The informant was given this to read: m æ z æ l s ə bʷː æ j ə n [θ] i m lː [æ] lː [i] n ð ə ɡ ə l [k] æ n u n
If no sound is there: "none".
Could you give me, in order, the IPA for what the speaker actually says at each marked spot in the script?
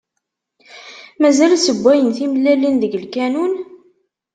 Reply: θ, æ, i, k

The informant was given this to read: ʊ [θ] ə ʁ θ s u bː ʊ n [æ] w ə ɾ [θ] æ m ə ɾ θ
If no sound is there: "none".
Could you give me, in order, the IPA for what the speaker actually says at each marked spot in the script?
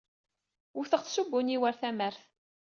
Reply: θ, i, θ

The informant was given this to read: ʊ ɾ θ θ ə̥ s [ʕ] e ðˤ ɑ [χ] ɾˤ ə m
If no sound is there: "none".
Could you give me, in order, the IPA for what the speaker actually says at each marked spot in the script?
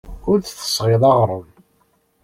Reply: ʁ, ʁ

